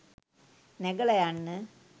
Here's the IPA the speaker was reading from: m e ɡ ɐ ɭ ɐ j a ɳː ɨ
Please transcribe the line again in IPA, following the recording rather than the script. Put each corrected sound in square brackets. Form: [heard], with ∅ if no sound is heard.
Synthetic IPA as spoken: [n] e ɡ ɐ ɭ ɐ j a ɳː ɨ